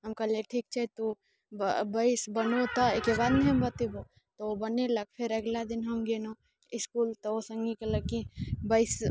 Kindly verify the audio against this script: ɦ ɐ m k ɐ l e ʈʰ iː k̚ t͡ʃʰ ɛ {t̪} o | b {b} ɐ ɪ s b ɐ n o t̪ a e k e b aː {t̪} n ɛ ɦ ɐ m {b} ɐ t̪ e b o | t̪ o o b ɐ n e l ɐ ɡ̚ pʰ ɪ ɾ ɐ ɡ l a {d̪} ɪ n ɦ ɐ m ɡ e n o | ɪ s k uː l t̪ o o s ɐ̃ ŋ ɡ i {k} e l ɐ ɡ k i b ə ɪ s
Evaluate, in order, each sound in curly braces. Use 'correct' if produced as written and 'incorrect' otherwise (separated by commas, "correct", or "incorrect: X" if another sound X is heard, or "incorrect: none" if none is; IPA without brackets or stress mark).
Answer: correct, correct, incorrect: d̪, correct, correct, correct